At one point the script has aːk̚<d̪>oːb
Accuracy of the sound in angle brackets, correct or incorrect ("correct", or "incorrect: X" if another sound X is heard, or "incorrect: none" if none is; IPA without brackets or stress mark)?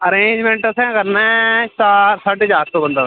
incorrect: t̪